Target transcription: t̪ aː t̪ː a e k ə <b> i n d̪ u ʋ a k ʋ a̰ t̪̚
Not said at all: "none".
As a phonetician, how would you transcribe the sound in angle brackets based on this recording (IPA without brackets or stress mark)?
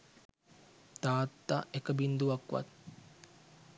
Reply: b